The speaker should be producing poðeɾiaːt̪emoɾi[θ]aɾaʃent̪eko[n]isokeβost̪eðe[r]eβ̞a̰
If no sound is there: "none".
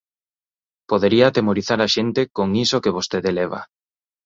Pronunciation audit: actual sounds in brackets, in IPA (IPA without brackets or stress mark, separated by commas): θ, ŋ, l